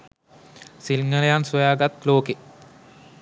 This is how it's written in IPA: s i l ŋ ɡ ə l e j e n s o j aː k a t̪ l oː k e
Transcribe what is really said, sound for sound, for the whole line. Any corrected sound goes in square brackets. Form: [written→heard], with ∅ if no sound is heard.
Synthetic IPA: s i l ŋ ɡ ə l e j [e→a] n s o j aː [k→ɡ] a t̪ l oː k e